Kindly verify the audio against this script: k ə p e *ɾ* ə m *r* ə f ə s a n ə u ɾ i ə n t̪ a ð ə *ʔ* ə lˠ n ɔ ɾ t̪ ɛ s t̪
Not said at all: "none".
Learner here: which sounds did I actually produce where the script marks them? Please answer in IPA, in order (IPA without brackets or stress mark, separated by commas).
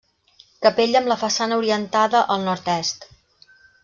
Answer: ʎ, l, ʔ